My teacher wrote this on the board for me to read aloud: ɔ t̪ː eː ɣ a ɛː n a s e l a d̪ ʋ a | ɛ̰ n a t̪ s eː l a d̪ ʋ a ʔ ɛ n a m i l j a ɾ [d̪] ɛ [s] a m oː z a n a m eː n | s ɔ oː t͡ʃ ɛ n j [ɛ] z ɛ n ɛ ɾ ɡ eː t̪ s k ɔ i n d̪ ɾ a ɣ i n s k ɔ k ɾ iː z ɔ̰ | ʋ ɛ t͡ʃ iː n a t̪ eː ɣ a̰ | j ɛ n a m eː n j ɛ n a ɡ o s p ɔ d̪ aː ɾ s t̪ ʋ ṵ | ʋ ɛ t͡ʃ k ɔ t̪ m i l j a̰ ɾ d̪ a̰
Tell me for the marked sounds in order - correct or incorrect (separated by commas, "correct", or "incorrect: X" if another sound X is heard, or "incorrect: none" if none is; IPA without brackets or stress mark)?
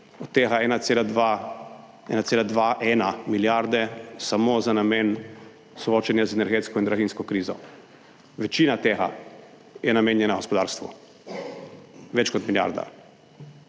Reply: correct, correct, incorrect: a